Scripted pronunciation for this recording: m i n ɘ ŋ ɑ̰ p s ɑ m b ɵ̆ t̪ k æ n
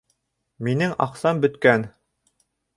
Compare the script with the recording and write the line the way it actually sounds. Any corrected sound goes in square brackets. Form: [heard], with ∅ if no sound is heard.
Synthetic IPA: m i n ɘ ŋ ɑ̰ [q] s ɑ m b ɵ̆ t̪ k æ n